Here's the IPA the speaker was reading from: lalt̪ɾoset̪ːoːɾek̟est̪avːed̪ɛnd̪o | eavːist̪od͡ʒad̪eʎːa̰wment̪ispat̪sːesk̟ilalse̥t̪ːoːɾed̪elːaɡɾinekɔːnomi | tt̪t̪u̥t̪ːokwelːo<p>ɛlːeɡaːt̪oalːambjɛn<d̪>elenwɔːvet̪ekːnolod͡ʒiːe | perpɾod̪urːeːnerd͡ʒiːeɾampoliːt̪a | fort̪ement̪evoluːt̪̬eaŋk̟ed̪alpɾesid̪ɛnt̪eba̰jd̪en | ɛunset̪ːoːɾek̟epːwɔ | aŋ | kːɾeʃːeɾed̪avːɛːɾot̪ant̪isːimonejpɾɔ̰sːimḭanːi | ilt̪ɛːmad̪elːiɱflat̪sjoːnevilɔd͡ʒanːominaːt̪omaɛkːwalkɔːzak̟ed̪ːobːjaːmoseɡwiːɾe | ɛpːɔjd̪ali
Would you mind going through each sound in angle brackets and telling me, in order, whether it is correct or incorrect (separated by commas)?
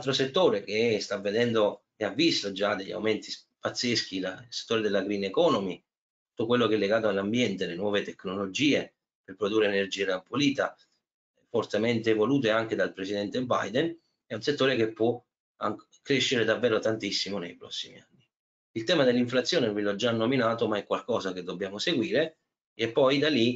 incorrect, incorrect